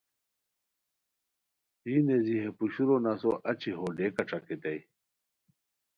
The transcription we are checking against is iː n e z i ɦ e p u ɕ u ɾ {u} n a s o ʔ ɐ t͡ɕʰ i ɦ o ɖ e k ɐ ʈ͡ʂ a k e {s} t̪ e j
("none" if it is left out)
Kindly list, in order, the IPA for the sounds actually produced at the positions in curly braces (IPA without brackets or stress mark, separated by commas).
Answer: o, none